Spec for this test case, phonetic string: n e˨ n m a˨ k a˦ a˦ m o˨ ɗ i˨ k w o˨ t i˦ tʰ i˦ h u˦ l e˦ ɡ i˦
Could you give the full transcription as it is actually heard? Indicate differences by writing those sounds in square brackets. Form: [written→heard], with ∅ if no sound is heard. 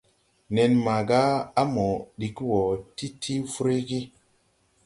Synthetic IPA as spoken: n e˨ n m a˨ [k→ɡ] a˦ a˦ m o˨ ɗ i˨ k w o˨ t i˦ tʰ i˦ [h→f] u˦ [l→ɾ] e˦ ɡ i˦